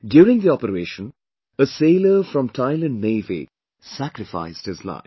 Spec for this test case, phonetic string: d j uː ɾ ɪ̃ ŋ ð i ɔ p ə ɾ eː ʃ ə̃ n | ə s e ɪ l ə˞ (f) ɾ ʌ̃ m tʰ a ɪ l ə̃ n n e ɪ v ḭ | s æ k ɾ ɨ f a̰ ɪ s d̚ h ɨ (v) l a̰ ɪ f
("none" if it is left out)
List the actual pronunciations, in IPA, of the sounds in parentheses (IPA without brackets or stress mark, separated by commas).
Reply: f, z